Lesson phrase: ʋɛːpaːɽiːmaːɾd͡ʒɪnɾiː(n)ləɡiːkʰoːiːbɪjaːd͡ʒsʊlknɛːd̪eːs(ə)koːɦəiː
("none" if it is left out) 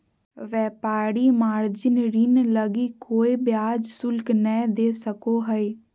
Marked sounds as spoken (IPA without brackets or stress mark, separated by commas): n, ə